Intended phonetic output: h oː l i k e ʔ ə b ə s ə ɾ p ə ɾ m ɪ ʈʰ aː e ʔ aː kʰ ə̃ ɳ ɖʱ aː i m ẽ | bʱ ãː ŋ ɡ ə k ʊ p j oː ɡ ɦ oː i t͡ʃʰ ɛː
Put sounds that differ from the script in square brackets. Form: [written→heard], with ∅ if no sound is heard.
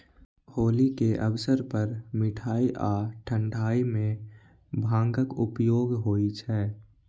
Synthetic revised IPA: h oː l i k e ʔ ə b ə s ə ɾ p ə ɾ m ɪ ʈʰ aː [e→i] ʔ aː [kʰ→ʈʰ] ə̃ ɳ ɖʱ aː i m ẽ | bʱ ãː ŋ ɡ ə k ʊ p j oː ɡ ɦ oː i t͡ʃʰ ɛː